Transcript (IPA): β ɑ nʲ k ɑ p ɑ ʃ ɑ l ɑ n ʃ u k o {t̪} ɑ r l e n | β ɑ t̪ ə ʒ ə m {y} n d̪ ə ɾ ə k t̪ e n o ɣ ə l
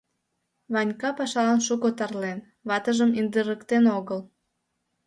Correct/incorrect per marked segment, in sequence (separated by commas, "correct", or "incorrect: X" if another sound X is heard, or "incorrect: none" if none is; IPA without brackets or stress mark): correct, incorrect: i